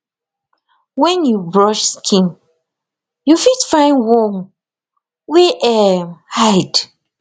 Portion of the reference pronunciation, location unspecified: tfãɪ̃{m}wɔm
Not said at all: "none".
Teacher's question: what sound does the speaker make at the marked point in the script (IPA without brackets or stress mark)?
n